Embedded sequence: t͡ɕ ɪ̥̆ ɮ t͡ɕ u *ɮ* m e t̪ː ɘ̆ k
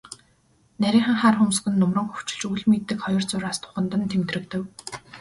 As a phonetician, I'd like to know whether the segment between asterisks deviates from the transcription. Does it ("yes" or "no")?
no